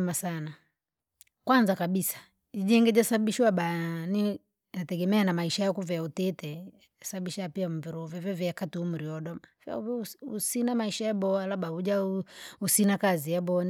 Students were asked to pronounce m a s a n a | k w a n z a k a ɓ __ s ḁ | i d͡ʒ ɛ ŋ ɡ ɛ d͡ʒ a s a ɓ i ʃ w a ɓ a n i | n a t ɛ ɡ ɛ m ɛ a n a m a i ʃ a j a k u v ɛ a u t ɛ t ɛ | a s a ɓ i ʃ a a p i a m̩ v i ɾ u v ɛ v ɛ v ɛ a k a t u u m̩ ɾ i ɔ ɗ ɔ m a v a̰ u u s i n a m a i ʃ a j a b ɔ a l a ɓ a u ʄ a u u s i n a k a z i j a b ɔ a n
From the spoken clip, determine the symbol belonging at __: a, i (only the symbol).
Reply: i